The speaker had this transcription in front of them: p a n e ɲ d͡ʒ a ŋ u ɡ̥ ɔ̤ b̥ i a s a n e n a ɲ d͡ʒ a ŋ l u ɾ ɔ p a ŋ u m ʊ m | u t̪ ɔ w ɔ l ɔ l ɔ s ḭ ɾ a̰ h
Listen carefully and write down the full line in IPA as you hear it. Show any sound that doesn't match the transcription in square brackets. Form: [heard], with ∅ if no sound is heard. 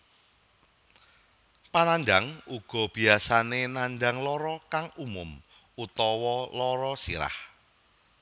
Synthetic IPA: p a n [a] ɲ d͡ʒ a ŋ u ɡ̥ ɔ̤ b̥ i a s a n e n a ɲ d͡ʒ a ŋ l [ɔ] ɾ ɔ [k] a ŋ u m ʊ m | u t̪ ɔ w ɔ l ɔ [ɾ] ɔ s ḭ ɾ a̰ h